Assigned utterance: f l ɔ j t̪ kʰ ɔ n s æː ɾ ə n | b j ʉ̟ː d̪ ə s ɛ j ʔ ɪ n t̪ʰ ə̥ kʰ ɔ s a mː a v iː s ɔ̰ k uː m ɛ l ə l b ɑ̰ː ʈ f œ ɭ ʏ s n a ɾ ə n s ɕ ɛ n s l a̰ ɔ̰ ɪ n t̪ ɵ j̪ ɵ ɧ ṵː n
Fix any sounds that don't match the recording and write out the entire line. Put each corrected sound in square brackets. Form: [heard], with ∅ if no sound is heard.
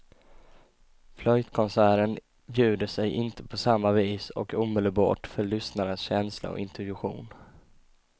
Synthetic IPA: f l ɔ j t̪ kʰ ɔ n s æː ɾ ə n | b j ʉ̟ː d̪ ə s ɛ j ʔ ɪ n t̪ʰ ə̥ [pʰ] ɔ s a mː a v iː s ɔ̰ k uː m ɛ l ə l b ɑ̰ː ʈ f œ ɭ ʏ s n a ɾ ə n s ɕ ɛ n s l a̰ ɔ̰ ɪ n t̪ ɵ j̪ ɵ ɧ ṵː n